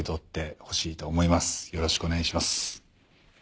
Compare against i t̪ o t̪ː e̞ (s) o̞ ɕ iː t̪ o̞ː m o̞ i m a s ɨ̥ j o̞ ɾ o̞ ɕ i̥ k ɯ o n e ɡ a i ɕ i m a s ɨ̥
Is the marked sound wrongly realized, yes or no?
yes